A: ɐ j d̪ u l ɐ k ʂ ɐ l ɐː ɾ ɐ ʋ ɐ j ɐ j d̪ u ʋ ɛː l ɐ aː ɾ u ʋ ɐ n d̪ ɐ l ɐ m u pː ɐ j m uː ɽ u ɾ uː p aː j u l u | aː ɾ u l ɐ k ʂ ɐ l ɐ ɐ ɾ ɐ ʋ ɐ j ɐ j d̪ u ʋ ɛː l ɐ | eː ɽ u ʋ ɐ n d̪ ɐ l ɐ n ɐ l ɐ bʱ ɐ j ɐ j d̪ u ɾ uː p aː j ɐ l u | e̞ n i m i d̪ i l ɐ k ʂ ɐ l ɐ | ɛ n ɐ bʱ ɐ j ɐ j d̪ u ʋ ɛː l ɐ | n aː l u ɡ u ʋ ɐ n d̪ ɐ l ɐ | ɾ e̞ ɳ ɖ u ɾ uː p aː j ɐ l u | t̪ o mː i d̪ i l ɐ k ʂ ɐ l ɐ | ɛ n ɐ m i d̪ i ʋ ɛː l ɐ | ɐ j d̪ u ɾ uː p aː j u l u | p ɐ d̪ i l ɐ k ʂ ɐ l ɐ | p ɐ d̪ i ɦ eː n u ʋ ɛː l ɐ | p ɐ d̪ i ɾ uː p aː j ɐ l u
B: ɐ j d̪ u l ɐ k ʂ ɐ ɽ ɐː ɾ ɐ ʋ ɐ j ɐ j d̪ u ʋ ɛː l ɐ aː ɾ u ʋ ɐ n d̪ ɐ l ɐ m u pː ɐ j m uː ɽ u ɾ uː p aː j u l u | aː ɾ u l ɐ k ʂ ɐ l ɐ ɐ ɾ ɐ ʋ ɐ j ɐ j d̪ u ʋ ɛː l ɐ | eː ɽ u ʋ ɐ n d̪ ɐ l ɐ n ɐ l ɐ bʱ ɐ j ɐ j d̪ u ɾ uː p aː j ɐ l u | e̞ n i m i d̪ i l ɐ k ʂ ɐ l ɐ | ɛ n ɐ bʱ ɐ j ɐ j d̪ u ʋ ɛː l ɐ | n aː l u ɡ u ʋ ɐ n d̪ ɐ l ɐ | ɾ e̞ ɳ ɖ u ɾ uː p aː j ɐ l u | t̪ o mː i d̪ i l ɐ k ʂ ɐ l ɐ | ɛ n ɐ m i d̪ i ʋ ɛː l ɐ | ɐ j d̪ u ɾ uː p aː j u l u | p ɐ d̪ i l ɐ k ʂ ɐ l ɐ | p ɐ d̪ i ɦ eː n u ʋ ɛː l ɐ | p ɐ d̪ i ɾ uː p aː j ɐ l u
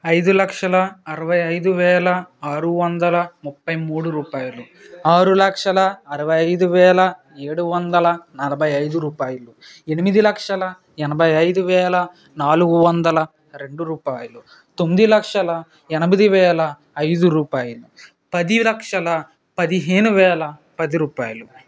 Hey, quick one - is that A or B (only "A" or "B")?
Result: A